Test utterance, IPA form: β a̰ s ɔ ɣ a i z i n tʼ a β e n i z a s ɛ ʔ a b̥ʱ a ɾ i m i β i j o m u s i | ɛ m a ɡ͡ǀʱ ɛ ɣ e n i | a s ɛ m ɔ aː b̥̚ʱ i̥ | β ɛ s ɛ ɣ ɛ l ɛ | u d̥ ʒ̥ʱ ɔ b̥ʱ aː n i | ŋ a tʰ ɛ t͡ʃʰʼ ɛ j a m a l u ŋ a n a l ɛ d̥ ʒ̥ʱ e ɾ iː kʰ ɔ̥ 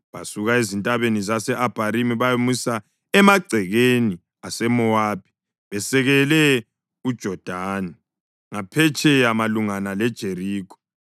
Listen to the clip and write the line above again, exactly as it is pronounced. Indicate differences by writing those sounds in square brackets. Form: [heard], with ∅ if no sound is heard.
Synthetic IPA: β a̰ s [u] ɣ a [e] z i n tʼ a β e n i z a s ɛ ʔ a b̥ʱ a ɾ i m i β [a] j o m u s [a] | ɛ m a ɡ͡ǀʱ ɛ ɣ e n i | a s ɛ m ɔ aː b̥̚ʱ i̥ | β ɛ s ɛ ɣ ɛ l ɛ | u d̥ ʒ̥ʱ ɔ [d̥ʱ] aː n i | ŋ a [pʰ] ɛ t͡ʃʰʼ ɛ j a m a l u ŋ a n a l ɛ d̥ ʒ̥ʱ e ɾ iː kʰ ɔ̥